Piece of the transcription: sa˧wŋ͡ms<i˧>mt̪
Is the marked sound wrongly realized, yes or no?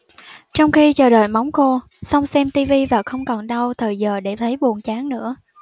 yes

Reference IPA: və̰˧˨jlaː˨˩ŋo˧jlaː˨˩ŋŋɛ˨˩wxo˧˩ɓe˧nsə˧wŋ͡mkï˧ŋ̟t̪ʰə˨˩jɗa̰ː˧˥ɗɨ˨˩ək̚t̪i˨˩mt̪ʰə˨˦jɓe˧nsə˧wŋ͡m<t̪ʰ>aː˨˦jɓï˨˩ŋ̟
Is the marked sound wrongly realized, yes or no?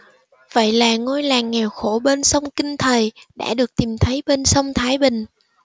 no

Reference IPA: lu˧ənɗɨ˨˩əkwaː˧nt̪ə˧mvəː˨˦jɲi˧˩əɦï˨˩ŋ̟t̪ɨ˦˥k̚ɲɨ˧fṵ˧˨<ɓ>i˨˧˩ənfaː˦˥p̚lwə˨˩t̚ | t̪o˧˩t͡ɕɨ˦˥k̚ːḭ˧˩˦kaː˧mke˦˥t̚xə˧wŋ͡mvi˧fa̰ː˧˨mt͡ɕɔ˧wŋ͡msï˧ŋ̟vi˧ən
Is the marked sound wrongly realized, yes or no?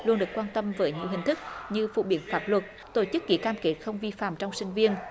no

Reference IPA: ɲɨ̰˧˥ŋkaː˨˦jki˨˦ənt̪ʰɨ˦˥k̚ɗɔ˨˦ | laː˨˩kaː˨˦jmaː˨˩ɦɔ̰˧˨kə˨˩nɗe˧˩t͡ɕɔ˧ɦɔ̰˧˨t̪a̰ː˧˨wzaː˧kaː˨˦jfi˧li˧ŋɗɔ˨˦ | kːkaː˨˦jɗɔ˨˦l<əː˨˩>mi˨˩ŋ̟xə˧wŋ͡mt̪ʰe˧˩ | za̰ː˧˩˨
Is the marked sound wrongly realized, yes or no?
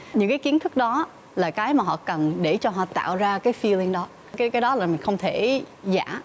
yes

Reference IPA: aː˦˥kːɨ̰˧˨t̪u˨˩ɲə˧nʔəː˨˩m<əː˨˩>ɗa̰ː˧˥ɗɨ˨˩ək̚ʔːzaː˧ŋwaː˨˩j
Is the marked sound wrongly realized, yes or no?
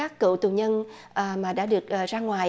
yes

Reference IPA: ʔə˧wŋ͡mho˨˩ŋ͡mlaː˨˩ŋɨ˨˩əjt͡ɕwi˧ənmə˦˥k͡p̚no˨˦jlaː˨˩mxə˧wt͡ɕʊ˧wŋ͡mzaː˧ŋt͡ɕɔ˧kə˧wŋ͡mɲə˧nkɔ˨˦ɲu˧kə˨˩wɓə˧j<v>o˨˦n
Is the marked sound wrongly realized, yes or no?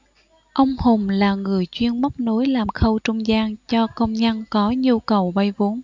no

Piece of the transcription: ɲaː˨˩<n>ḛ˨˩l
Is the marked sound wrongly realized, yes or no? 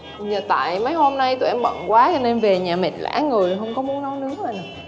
yes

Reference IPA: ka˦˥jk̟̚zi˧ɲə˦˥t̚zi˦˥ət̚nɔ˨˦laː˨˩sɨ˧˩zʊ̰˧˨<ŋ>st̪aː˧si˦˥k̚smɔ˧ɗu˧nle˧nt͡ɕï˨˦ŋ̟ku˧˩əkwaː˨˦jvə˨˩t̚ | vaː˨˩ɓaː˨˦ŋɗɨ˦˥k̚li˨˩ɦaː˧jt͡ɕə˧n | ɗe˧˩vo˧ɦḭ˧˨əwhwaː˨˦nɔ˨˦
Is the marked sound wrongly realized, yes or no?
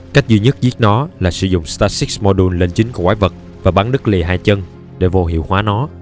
yes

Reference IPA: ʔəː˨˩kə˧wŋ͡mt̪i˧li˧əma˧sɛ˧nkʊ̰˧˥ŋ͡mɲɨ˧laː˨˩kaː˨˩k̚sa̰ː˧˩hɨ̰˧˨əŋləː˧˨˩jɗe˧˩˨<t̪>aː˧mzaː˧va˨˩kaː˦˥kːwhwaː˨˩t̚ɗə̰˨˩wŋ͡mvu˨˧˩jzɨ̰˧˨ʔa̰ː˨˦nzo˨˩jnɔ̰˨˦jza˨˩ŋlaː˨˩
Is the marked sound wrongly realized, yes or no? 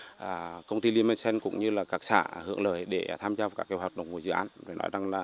yes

